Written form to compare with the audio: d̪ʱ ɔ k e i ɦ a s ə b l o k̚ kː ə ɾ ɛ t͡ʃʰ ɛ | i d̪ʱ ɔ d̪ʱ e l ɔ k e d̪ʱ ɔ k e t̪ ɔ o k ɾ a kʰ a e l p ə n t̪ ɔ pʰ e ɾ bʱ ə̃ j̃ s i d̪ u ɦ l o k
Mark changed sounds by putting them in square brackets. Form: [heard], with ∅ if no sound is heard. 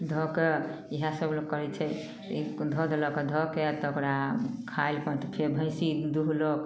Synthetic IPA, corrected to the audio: d̪ʱ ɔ k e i ɦ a s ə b l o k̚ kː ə ɾ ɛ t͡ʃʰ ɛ | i d̪ʱ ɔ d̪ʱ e l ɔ k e d̪ʱ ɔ k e t̪ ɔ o k ɾ a kʰ a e l p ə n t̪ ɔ pʰ e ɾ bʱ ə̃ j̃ s i d̪ u ɦ l o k